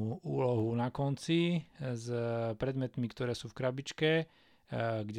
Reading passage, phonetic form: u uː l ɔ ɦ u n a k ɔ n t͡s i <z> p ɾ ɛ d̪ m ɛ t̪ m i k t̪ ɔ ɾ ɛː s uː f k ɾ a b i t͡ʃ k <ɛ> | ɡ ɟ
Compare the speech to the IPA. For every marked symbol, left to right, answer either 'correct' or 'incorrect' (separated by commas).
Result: correct, correct